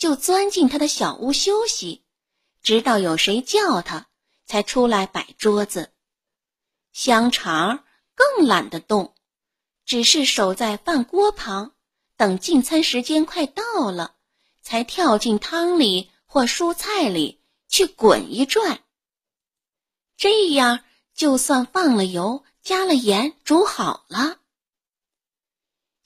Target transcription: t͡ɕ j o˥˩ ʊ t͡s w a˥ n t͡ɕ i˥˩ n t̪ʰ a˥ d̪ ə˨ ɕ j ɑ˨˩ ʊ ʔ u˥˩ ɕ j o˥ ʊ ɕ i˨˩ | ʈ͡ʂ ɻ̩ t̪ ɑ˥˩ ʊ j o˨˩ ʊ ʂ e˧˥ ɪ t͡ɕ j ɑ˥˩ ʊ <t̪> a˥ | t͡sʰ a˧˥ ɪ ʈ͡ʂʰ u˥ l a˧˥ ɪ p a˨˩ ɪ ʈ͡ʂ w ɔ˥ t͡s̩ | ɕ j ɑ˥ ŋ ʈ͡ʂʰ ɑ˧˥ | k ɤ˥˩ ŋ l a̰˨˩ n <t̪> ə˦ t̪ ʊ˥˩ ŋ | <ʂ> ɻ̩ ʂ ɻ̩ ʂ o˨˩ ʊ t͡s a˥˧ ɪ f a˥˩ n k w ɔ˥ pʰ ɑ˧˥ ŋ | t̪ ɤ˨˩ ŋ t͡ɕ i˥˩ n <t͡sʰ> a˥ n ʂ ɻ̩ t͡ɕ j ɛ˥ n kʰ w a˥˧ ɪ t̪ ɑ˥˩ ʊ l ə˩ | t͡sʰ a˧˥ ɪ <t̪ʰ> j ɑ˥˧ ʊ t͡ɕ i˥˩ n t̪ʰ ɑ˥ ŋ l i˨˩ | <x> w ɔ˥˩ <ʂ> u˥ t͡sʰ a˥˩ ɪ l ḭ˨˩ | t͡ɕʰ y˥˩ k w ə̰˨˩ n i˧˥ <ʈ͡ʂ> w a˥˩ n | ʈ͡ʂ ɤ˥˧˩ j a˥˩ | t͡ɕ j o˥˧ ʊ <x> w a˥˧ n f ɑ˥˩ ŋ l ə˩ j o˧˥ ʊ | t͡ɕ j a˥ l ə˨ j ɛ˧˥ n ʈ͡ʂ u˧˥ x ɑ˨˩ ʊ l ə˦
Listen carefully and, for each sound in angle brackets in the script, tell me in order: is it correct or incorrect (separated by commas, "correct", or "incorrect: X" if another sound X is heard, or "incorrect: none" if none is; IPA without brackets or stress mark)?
incorrect: t̪ʰ, incorrect: d̪, incorrect: ʈ͡ʂ, correct, correct, correct, correct, correct, incorrect: s